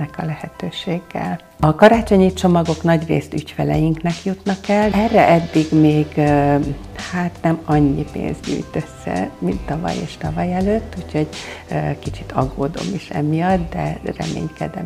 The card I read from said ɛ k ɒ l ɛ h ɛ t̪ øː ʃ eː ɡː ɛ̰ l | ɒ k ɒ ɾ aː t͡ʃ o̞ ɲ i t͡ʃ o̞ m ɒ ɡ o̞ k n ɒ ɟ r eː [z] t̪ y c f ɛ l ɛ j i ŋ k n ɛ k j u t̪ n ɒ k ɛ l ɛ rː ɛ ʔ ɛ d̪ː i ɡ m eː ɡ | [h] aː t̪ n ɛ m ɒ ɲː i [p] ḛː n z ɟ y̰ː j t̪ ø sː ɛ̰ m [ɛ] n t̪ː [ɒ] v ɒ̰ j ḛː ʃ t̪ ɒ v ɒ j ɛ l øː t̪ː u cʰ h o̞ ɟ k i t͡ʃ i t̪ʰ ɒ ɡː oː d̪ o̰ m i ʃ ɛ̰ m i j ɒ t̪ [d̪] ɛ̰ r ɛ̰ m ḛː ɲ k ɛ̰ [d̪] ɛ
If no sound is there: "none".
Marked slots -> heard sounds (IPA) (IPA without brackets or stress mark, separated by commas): s, h, p, i, ɒ, d̪, d̪